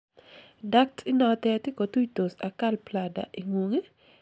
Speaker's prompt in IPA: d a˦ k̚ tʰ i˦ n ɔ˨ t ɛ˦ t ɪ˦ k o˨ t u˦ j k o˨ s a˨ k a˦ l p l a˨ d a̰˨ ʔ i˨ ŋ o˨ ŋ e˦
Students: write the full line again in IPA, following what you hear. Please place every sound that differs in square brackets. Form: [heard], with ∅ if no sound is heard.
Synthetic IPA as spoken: d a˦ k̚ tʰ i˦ n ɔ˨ t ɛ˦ t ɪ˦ k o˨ t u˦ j [t] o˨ s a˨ k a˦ l p l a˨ d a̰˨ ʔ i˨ ŋ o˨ ŋ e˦

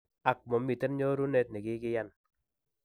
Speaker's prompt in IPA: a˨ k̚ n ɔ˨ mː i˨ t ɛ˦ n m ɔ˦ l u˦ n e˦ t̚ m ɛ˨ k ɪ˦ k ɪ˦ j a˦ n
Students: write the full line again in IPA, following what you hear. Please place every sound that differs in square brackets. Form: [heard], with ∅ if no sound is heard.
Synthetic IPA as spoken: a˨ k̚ [m] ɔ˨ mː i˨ t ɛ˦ n [ɲ] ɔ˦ [ɾ] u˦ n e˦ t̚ [n] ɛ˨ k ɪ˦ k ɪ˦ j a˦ n

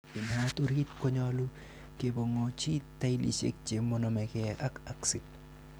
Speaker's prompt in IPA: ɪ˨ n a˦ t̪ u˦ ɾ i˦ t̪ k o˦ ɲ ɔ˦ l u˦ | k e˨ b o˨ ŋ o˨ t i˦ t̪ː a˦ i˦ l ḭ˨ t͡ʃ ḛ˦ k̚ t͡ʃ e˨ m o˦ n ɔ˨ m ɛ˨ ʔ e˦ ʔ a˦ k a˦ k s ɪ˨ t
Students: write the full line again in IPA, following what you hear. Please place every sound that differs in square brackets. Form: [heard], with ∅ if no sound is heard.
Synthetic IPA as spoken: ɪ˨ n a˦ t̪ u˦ ɾ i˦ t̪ k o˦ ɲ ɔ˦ l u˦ | k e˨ b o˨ ŋ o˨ [t͡ʃ] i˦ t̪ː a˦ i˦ l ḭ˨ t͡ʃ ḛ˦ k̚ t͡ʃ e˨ m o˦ n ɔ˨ m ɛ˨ [k] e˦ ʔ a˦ k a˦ k s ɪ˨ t

